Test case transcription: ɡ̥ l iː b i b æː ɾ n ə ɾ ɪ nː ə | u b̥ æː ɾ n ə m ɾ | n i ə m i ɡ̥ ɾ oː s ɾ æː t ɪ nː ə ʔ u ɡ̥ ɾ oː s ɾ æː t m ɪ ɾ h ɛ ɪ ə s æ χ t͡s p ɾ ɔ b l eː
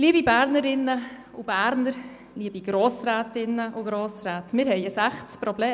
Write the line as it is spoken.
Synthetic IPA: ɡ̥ l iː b i b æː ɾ n ə ɾ ɪ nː ə | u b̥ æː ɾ n ə ɾ | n i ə b i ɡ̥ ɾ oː s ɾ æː t ɪ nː ə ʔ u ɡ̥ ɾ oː s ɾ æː t m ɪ ɾ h ɛ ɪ ə s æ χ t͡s p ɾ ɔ b l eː